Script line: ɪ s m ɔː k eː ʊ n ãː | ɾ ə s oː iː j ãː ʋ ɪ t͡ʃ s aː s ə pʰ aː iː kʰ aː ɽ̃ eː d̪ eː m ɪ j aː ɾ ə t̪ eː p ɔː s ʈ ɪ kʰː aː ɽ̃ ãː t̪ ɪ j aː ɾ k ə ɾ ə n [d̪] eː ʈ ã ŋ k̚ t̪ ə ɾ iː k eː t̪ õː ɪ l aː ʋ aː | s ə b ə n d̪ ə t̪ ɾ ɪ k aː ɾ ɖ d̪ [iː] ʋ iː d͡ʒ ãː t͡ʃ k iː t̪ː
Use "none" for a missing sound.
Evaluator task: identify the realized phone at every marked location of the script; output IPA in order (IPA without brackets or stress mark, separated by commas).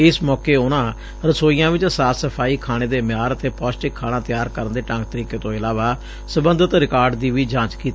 d̪, iː